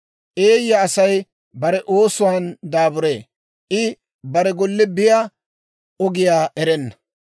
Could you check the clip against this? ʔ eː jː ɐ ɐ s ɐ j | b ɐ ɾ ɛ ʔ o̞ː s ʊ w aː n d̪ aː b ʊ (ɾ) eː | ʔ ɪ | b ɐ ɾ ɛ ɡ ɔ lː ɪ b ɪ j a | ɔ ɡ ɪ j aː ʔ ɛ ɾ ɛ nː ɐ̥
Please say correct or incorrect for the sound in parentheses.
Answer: correct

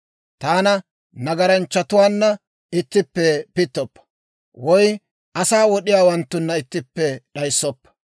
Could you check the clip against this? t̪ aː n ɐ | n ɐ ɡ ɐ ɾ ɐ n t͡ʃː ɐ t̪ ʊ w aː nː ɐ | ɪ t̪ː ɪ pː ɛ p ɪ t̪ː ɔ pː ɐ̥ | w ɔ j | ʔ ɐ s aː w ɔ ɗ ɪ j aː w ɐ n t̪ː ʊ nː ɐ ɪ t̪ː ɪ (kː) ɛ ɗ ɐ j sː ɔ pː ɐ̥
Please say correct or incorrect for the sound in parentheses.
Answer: incorrect: pː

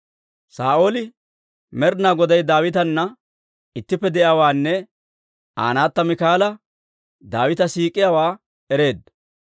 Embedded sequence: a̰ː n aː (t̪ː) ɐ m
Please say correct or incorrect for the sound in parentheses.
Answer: correct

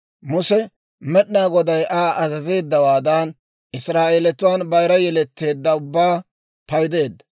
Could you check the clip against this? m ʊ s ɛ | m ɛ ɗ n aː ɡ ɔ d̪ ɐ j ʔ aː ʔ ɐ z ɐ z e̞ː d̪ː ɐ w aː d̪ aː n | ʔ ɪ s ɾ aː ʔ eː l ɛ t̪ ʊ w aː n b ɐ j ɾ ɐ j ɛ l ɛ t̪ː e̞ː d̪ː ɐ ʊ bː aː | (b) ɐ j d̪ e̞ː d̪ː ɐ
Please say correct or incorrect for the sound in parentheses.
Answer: incorrect: p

